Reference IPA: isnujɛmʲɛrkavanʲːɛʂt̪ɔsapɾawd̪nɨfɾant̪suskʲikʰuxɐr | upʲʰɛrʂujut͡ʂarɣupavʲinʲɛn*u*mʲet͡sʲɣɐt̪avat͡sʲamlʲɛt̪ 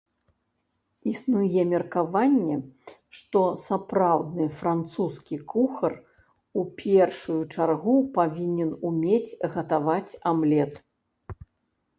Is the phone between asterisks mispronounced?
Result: no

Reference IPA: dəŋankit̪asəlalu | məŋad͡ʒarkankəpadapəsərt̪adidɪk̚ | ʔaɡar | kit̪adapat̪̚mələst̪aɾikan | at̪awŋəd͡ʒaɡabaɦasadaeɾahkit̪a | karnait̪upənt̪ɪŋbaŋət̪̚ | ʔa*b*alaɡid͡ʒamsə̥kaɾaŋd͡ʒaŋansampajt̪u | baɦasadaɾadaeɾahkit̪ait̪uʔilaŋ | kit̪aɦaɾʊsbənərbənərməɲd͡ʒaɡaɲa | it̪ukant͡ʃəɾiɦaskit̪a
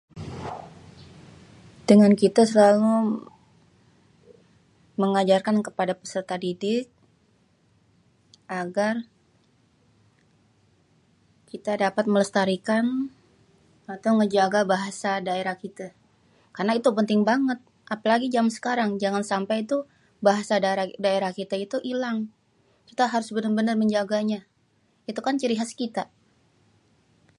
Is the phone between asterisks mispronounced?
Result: yes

